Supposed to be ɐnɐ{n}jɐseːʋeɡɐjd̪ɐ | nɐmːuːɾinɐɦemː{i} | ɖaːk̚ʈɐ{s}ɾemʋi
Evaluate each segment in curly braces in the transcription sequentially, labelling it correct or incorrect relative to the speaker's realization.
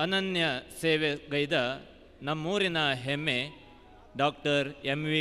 correct, incorrect: e, incorrect: none

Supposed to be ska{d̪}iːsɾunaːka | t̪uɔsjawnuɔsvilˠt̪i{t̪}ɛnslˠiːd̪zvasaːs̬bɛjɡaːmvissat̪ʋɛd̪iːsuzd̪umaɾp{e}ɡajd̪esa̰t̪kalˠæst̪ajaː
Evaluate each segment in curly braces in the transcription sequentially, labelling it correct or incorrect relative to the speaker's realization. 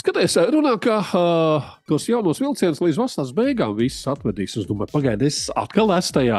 incorrect: t̪, incorrect: none, incorrect: a

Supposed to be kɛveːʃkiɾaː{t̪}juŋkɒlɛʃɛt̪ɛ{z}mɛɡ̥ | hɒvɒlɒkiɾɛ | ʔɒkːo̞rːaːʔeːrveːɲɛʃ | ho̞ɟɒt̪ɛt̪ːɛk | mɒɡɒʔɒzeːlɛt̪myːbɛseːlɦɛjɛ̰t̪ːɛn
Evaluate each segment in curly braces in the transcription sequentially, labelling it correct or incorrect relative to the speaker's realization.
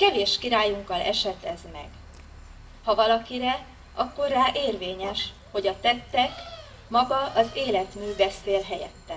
incorrect: none, correct

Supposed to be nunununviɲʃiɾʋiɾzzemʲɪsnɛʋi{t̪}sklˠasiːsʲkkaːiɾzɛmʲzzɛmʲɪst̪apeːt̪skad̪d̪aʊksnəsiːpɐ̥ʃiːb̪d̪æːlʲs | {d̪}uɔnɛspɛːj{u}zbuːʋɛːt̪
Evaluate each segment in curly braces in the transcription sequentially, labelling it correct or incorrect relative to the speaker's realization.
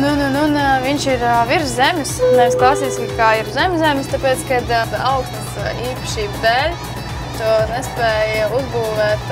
incorrect: none, incorrect: t̪, correct

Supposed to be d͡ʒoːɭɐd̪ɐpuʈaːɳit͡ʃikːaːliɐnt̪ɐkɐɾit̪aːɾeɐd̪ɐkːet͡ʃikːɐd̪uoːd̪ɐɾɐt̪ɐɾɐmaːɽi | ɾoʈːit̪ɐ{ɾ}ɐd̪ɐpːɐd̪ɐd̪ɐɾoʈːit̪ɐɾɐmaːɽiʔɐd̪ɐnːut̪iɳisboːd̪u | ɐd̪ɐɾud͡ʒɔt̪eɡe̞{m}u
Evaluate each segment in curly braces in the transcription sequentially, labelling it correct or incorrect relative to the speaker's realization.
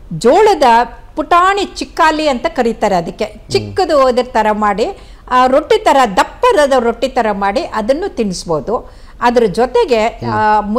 correct, correct

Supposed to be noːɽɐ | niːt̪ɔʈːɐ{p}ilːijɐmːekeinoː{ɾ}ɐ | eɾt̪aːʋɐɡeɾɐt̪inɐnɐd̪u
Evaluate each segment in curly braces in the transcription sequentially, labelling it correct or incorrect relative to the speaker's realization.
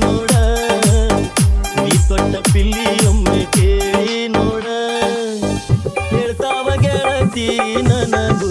correct, incorrect: ɽ

